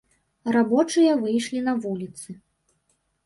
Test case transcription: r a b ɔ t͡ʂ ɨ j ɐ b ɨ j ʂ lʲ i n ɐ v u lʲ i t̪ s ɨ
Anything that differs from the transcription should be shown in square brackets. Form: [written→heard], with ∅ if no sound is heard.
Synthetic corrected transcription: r a b ɔ t͡ʂ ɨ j ɐ [b→v] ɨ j ʂ lʲ i n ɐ v u lʲ i t̪ s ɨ